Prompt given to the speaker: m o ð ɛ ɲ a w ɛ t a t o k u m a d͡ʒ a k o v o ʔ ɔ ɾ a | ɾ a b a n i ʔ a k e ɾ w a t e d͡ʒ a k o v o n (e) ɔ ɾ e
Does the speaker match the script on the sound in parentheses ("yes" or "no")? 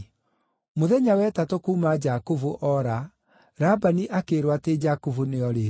yes